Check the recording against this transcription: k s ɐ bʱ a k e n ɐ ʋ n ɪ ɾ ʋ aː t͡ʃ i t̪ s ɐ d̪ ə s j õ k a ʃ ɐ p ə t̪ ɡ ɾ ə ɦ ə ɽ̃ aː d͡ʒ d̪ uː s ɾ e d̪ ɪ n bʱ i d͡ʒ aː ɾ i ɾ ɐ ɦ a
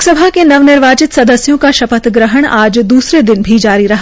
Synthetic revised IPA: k s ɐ bʱ a k e n ɐ ʋ n ɪ ɾ ʋ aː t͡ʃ ɪ t̪ s ɐ d̪ ə s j õ k a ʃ ɐ p ə t̪ ɡ ɾ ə ɦ ə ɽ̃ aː d͡ʒ d̪ uː s ɾ e d̪ ɪ n bʱ i d͡ʒ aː ɾ i ɾ ɐ ɦ a